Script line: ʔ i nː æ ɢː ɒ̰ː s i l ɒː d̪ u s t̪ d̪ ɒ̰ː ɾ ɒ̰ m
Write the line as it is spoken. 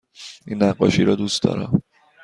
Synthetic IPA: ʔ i nː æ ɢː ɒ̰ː ʃ i ɾ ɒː d̪ u s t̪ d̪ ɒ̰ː ɾ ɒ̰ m